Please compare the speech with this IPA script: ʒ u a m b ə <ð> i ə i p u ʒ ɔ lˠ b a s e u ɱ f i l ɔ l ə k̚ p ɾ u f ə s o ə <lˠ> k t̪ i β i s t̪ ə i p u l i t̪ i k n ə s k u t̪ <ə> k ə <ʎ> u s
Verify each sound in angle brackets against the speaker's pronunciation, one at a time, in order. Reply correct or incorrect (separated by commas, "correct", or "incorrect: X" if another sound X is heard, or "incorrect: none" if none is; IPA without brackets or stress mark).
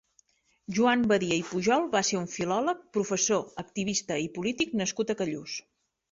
correct, incorrect: none, correct, correct